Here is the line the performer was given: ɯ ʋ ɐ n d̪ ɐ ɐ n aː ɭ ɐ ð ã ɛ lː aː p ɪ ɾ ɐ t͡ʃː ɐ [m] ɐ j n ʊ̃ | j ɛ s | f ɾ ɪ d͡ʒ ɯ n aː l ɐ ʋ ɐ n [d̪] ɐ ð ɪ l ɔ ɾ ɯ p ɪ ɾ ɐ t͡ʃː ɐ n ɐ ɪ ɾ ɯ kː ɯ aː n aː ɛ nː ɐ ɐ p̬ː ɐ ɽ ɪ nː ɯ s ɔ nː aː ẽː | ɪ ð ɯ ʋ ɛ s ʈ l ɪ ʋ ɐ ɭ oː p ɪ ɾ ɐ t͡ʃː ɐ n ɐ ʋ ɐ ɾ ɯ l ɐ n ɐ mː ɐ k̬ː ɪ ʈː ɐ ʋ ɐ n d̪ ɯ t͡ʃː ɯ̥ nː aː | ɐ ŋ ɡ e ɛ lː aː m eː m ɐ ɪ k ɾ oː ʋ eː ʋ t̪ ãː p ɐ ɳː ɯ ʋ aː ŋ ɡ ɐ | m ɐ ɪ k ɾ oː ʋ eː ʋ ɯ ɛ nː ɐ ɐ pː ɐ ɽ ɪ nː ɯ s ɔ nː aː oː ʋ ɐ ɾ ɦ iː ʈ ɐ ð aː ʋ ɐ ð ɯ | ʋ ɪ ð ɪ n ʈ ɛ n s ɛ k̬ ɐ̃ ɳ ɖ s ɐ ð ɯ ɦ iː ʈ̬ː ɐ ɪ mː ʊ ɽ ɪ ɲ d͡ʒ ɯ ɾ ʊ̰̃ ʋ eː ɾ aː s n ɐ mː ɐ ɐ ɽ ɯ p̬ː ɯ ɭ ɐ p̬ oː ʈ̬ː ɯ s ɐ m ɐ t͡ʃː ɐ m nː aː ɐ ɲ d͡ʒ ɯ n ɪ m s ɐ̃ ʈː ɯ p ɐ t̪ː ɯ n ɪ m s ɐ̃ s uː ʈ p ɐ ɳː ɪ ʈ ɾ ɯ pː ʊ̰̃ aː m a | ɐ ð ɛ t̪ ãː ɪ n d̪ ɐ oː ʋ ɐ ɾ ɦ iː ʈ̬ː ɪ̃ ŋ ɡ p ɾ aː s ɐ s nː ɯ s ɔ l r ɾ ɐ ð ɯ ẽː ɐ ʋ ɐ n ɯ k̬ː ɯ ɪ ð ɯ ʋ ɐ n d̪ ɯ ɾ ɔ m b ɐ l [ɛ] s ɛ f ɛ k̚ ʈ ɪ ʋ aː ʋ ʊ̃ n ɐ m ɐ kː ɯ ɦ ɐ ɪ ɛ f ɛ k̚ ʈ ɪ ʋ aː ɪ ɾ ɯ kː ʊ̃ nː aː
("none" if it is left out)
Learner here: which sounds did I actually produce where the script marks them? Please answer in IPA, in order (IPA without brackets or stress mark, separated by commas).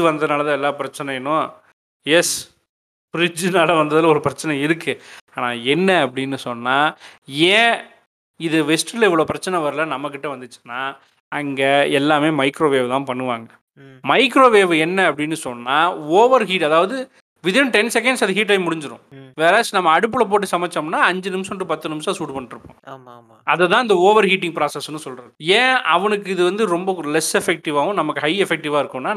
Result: n, d̪, ɛ